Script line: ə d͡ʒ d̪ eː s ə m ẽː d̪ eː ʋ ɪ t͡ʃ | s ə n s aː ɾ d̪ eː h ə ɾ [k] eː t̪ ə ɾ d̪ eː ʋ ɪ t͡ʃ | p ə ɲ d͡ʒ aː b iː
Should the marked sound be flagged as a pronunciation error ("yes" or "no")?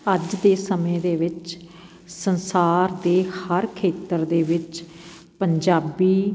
yes